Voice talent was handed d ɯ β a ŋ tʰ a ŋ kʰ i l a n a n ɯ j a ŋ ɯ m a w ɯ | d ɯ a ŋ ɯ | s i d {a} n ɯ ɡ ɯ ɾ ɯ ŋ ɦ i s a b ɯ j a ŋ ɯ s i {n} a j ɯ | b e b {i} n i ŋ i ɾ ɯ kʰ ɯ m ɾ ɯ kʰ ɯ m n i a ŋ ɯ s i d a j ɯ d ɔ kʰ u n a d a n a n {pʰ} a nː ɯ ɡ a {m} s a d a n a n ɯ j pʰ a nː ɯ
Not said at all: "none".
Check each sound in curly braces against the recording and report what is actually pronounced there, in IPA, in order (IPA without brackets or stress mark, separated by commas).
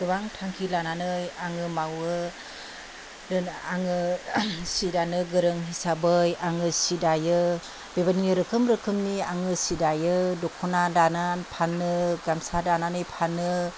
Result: a, d, a, pʰ, m